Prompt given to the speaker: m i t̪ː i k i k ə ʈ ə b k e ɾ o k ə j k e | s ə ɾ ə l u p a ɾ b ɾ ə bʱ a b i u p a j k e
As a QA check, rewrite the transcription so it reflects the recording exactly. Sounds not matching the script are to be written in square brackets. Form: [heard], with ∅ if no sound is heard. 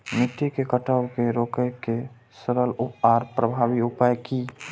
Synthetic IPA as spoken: m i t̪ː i k [e] k ə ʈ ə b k e ɾ o k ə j k e | s ə ɾ ə l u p a ɾ [p] ɾ ə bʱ a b i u p a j k [i]